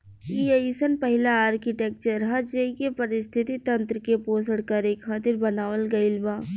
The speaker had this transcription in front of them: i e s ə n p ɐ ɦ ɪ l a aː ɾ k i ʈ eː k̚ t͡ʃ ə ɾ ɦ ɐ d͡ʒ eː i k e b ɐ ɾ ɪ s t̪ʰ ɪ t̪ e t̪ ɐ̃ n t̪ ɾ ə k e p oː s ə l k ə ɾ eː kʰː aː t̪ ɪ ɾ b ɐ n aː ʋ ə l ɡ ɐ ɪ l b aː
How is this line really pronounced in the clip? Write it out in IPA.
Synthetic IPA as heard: i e s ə n p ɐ ɦ ɪ l a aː ɾ k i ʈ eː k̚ t͡ʃ ə ɾ ɦ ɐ d͡ʒ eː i k e p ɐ ɾ ɪ s t̪ʰ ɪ t̪ i t̪ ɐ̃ n t̪ ɾ ə k e p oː s ə ɽ k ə ɾ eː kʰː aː t̪ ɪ ɾ b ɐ n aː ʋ ə l ɡ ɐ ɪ l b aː